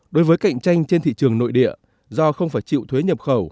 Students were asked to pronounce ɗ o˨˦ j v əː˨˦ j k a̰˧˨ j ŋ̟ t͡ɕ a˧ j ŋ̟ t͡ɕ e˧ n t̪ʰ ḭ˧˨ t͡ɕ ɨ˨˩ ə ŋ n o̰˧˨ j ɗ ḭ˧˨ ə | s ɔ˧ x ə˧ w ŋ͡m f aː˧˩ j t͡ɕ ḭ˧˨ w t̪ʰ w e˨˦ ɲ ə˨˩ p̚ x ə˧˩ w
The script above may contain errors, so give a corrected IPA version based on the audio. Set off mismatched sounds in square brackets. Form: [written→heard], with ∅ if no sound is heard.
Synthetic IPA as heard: ɗ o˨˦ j v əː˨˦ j k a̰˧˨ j ŋ̟ t͡ɕ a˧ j ŋ̟ t͡ɕ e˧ n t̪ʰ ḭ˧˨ t͡ɕ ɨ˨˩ ə ŋ n o̰˧˨ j ɗ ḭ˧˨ ə | [s→z] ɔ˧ x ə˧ w ŋ͡m f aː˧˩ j t͡ɕ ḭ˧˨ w t̪ʰ w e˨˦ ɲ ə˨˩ p̚ x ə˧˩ w